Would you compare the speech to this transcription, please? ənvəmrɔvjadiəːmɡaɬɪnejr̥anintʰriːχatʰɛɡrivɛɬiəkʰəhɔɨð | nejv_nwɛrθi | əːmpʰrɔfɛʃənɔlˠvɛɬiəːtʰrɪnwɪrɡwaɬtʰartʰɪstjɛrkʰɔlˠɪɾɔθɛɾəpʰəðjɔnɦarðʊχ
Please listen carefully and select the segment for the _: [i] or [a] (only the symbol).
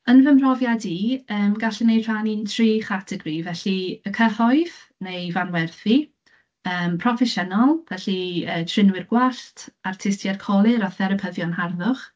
a